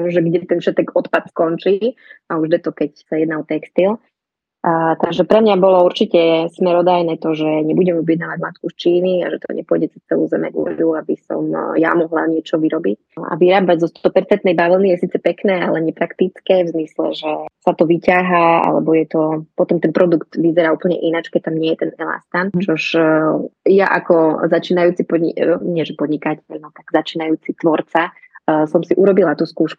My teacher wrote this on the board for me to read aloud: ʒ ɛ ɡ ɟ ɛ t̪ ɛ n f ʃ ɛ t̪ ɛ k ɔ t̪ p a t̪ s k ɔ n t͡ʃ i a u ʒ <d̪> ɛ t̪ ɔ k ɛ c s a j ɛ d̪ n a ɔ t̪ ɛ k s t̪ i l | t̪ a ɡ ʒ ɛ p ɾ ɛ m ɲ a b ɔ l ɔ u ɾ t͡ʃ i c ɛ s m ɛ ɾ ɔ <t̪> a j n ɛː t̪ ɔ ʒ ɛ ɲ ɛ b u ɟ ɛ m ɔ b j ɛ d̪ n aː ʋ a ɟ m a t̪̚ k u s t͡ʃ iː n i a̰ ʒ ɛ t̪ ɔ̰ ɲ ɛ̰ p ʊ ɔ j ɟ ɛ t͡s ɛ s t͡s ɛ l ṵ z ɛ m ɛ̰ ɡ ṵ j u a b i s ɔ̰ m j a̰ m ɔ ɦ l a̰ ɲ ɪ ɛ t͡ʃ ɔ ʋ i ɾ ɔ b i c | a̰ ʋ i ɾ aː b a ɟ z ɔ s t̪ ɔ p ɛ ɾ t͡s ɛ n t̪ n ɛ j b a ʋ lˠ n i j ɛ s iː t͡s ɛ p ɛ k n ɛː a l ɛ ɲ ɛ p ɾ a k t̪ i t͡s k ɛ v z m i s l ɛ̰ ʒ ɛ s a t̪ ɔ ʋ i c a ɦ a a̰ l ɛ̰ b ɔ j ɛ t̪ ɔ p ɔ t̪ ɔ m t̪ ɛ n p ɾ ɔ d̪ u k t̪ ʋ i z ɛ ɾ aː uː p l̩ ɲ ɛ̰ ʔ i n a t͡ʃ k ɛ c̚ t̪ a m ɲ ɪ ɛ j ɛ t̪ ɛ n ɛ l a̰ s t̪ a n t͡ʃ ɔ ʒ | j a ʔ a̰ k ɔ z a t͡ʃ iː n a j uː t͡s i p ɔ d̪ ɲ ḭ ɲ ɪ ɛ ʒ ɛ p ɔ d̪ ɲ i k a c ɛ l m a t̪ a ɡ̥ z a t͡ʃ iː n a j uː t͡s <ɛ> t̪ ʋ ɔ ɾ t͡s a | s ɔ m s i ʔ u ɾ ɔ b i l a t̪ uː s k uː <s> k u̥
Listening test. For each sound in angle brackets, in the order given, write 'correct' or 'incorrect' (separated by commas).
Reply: correct, incorrect, incorrect, incorrect